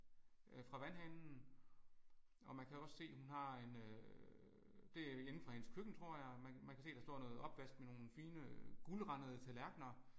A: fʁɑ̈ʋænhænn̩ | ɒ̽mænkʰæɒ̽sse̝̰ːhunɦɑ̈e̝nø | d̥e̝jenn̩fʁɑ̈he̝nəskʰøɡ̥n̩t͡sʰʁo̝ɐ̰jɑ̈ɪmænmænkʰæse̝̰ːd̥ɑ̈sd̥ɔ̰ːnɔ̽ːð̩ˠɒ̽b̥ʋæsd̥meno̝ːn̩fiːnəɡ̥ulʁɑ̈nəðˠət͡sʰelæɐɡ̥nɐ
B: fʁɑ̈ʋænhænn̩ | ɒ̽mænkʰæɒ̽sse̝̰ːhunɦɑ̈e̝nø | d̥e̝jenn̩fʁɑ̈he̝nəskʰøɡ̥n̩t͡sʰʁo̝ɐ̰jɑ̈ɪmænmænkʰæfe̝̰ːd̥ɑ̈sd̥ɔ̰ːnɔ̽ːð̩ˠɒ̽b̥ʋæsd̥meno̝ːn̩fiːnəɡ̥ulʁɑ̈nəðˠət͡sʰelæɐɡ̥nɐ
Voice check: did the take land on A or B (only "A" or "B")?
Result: A